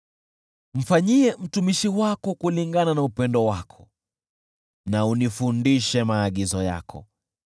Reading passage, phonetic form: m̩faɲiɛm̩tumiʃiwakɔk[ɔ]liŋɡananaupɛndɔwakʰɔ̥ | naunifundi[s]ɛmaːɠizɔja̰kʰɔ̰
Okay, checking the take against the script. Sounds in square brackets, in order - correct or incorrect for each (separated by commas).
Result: incorrect, incorrect